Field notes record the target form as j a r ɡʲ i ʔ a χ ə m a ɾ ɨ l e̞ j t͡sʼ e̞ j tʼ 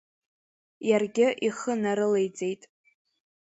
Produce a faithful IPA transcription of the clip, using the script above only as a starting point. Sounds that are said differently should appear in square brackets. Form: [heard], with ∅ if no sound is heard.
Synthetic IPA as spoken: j a r ɡʲ [ɪ] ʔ [i] χ ə [n] a ɾ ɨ l e̞ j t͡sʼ e̞ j tʼ